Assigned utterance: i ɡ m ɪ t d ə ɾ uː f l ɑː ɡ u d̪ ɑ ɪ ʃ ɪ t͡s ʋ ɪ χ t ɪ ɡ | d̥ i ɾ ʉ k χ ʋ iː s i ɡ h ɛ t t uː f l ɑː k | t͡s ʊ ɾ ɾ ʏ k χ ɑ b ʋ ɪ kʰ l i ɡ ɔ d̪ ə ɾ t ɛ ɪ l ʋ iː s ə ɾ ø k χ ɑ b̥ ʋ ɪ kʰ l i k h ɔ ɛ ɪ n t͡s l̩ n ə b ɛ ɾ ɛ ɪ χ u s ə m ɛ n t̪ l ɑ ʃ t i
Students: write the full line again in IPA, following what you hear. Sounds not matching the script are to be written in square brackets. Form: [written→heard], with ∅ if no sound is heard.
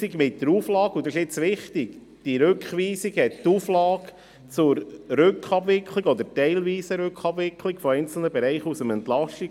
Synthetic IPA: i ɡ m ɪ t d ə ɾ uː f l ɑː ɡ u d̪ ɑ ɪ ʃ ɪ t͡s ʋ ɪ χ t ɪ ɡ | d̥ i ɾ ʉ k χ ʋ iː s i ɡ h ɛ t t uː f l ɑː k | t͡s ʊ ɾ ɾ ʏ k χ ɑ b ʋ ɪ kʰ l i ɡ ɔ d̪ ə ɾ t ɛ ɪ l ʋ iː s ə ɾ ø k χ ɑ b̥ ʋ ɪ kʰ l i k [h→f] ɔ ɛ ɪ n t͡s l̩ n ə b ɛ ɾ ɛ ɪ χ u s ə m ɛ n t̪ l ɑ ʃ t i